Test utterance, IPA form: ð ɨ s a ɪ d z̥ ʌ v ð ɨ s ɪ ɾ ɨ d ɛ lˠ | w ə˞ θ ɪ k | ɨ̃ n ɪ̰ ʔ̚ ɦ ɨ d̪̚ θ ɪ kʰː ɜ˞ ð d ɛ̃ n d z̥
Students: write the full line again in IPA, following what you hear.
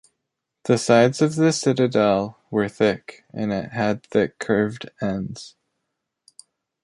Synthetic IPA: ð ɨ s a ɪ d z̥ ʌ v ð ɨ s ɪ ɾ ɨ d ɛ lˠ | w ə˞ θ ɪ k | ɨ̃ n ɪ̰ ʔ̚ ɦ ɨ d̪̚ θ ɪ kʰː ɜ˞ v d ɛ̃ n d z̥

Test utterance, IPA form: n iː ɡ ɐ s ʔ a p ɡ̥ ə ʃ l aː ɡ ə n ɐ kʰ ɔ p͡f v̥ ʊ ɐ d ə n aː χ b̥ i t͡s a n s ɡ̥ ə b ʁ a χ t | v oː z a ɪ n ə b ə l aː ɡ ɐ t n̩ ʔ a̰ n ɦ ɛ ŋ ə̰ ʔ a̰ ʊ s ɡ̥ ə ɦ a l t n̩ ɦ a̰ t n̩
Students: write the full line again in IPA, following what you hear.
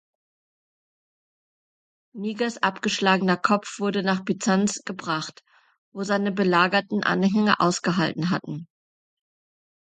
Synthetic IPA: n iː ɡ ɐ s ʔ a p ɡ̥ ə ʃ l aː ɡ ə n ɐ kʰ ɔ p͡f v̥ ʊ ɐ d ə n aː χ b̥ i t͡s a n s ɡ̥ ə b ʁ a χ t | v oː z a ɪ n ə b ə l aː ɡ ɐ t n̩ ʔ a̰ n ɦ ɛ ŋ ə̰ ʔ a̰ ʊ s ɡ̥ ə ɦ a l t n̩ ɦ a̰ t n̩

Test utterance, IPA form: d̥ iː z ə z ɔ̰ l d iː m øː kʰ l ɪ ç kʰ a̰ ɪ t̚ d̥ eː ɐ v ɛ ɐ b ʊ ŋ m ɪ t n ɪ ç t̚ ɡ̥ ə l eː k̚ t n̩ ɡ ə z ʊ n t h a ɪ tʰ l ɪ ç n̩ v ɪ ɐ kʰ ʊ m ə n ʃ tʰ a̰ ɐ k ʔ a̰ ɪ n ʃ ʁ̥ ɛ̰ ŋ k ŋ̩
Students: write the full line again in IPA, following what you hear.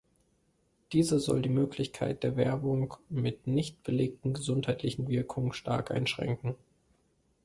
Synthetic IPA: d̥ iː z ə z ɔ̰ l d iː m øː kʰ l ɪ ç kʰ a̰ ɪ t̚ d̥ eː ɐ v ɛ ɐ b ʊ ŋ m ɪ t n ɪ ç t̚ b̥ ə l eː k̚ t n̩ ɡ ə z ʊ n t h a ɪ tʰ l ɪ ç n̩ v ɪ ɐ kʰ ʊ ŋ ə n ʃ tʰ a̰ ɐ k ʔ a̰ ɪ n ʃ ʁ̥ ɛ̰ ŋ k ŋ̩

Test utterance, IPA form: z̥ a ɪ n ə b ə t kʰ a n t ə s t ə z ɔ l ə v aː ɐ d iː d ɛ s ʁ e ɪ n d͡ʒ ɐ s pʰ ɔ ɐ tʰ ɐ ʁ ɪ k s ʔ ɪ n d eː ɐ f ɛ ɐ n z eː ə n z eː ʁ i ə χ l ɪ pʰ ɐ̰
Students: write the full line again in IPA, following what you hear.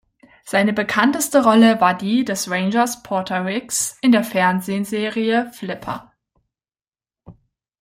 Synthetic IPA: z̥ a ɪ n ə b ə kʰ a n t ə s t ə ʁ ɔ l ə v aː ɐ d iː d ɛ s ʁ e ɪ n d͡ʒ ɐ s pʰ ɔ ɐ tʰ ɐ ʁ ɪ k s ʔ ɪ n d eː ɐ f ɛ ɐ n z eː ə n z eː ʁ i ə f l ɪ pʰ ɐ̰

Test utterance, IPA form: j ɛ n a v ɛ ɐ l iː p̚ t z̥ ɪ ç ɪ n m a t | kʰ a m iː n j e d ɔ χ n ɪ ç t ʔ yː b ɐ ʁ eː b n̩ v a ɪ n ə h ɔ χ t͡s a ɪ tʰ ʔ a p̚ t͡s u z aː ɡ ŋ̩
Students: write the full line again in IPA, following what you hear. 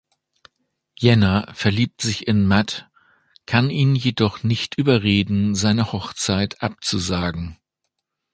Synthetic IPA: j ɛ n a f ɛ ɐ l iː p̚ t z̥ ɪ ç ɪ n m a t | kʰ a n iː n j e d ɔ χ n ɪ ç t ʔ yː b ɐ ʁ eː d n̩ z a ɪ n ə h ɔ χ t͡s a ɪ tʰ ʔ a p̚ t͡s u z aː ɡ ŋ̩

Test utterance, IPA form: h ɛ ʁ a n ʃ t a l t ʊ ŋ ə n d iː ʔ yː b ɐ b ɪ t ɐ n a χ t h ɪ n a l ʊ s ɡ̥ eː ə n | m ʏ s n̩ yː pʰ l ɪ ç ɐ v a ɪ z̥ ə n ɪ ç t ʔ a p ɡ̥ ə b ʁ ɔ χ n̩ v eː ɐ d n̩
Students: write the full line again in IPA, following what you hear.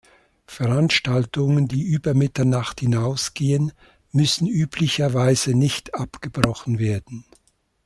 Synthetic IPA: f ɛ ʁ a n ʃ t a l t ʊ ŋ ə n d iː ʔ yː b ɐ m ɪ t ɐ n a χ t h ɪ n a ʊ s ɡ̥ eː ə n | m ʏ s n̩ yː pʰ l ɪ ç ɐ v a ɪ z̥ ə n ɪ ç t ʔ a p ɡ̥ ə b ʁ ɔ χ n̩ v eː ɐ d n̩

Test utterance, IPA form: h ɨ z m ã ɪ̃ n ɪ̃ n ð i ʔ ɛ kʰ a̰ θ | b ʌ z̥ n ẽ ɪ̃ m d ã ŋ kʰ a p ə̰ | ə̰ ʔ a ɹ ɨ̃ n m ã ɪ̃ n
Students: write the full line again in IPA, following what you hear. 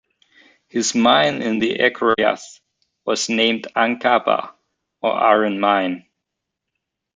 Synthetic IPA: h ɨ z m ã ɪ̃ n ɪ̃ n ð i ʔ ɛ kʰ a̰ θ | w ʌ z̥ n ẽ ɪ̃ m d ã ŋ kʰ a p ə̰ | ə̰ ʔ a ɹ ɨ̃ n m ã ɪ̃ n

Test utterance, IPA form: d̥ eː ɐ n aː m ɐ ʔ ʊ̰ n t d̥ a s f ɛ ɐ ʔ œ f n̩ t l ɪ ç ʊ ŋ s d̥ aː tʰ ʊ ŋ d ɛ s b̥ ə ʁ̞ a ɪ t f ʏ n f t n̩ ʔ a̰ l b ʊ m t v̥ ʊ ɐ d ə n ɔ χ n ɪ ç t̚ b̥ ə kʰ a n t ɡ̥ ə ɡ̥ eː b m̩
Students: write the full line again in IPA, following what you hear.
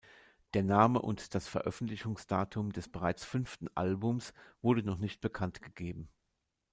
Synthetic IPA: d̥ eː ɐ n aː m ə ʔ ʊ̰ n t d̥ a s f ɛ ɐ ʔ œ f n̩ t l ɪ ç ʊ ŋ s d̥ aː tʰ ʊ m d ɛ s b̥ ə ʁ̞ a ɪ t͡s f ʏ n f t n̩ ʔ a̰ l b ʊ m s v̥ ʊ ɐ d ə n ɔ χ n ɪ ç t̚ b̥ ə kʰ a n t ɡ̥ ə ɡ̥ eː b m̩

